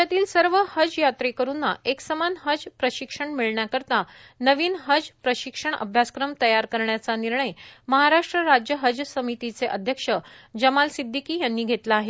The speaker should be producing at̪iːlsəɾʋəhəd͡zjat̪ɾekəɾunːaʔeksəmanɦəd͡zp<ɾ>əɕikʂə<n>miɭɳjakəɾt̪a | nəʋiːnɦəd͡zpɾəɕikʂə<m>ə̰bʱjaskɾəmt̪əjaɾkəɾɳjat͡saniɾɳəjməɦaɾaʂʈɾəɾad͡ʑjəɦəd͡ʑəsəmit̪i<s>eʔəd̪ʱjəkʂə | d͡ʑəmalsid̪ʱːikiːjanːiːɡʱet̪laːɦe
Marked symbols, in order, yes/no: yes, no, no, no

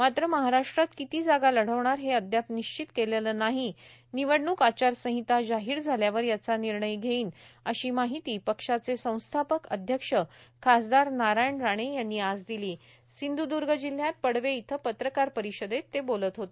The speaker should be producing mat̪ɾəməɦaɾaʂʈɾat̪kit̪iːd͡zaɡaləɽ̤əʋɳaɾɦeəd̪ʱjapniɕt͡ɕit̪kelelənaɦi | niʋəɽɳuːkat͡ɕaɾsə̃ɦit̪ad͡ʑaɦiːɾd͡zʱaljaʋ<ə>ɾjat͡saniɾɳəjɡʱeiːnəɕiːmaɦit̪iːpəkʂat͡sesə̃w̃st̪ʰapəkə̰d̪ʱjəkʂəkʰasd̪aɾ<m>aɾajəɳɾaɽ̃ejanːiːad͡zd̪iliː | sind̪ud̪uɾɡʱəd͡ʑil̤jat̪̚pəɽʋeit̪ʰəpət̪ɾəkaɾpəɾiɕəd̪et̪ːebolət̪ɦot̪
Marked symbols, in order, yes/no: yes, no

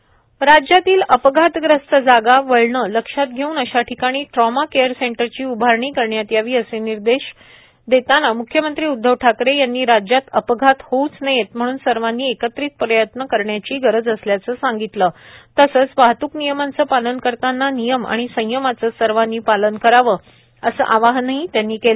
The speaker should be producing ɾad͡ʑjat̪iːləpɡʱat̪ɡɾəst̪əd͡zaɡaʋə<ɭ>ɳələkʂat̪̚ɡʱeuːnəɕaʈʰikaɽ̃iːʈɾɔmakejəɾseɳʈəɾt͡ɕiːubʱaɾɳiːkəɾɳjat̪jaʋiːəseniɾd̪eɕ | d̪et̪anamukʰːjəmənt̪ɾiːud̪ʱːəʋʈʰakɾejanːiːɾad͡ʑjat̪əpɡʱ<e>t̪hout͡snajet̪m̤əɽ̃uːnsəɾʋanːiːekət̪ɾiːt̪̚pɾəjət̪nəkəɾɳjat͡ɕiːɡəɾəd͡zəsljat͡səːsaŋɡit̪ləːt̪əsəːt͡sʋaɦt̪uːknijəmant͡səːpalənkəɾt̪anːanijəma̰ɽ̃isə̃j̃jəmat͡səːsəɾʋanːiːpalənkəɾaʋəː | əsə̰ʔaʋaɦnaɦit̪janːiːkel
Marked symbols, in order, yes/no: yes, no

